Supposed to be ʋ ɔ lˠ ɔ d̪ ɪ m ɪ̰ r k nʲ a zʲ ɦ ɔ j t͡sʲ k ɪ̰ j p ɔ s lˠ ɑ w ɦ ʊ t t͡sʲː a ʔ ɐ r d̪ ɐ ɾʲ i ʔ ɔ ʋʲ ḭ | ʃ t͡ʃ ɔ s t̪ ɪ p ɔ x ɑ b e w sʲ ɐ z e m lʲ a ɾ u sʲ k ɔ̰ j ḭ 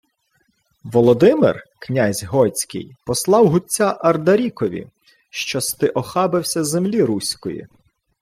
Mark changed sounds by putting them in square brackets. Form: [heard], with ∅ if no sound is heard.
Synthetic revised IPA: ʋ ɔ lˠ ɔ d̪ ɪ m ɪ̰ r k nʲ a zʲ ɦ ɔ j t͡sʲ k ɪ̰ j p ɔ s lˠ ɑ w ɦ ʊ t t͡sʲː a ʔ ɐ r d̪ ɐ ɾʲ i [k] ɔ ʋʲ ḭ | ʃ t͡ʃ ɔ s t̪ ɪ [ʔ] ɔ x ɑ b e w sʲ ɐ z e m lʲ [i] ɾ u sʲ k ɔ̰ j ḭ